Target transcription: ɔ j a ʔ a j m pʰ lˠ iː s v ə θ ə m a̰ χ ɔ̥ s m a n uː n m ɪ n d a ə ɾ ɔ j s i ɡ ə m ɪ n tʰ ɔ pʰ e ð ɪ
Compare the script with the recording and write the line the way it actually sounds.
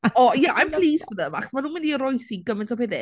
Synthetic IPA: ɔ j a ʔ a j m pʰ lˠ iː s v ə ð ə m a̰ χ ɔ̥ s m a n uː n m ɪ n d i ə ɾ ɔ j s i ɡ ə m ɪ n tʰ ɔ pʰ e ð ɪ

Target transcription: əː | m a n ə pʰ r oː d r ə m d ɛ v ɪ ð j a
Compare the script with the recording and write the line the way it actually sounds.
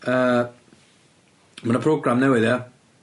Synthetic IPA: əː | m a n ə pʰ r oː ɡ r a m n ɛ w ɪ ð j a

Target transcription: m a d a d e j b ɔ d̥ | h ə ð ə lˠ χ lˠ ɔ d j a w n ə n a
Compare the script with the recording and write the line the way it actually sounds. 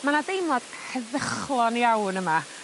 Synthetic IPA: m a n a d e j m ɔ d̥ | h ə ð ə χ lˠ ɔ n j a w n ə m a

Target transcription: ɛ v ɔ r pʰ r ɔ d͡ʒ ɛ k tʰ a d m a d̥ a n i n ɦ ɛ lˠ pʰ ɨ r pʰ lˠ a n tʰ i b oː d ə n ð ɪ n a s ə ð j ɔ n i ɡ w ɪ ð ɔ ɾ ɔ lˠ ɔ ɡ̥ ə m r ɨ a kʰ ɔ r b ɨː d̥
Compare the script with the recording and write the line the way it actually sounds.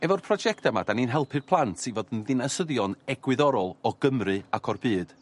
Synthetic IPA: ɛ v ɔ r pʰ r ɔ d͡ʒ ɛ k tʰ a m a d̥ a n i n ɦ ɛ lˠ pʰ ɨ r pʰ lˠ a n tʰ i v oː d ə n ð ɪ n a s ə ð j ɔ n ɛ ɡ w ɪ ð ɔ ɾ ɔ lˠ ɔ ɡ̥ ə m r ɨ a kʰ ɔ r b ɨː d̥

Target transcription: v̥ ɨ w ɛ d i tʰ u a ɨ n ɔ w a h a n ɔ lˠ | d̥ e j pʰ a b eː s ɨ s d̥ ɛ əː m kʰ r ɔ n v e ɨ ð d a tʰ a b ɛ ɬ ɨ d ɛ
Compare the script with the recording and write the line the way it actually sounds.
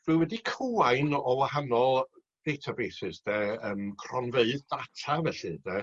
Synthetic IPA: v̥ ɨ w ɛ d i kʰ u a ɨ n ɔ w a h a n ɔ lˠ | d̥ e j tʰ a b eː s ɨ s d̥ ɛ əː m kʰ r ɔ n v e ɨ ð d a tʰ a v ɛ ɬ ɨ d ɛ

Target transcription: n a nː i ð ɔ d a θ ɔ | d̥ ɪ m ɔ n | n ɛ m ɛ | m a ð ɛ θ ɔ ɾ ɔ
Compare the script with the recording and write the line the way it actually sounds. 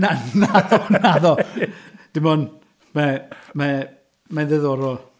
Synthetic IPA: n a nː a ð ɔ n a ð ɔ | d̥ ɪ m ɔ n | m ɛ m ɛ | m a ð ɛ ð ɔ ɾ ɔ

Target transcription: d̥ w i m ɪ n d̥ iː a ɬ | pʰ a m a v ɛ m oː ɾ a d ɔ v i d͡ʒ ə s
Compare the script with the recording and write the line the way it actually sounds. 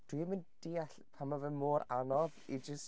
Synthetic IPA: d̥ w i m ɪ n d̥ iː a ɬ | pʰ a m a v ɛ m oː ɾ a n ɔ v i d͡ʒ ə s

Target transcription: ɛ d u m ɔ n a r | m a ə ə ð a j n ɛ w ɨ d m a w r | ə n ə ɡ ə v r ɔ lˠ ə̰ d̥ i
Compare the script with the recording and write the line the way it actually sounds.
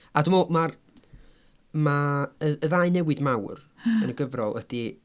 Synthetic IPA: a d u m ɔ m a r | m a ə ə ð a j n ɛ w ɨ d m a w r | ə n ə ɡ ə v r ɔ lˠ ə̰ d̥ i

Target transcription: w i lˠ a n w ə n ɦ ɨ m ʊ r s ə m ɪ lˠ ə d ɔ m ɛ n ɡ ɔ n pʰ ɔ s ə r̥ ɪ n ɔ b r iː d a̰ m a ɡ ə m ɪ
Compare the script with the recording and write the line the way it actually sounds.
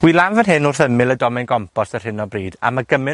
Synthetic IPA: w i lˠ a n v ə n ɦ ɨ n ʊ r θ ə m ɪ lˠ ə d ɔ m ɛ n ɡ ɔ m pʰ ɔ s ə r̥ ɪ n ɔ b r iː d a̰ m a ɡ ə m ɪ

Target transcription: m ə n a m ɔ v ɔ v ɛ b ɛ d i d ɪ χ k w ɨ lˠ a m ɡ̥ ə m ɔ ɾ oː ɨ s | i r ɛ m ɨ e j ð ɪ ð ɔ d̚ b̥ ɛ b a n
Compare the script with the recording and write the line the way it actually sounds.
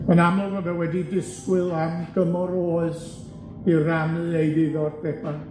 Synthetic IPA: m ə n a m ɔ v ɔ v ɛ w ɛ d i d ɪ s k w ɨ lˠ a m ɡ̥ ə m ɔ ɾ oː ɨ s | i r a m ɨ e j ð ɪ ð ɔ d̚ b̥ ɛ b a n

